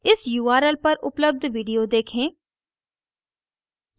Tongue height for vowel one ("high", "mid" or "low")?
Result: high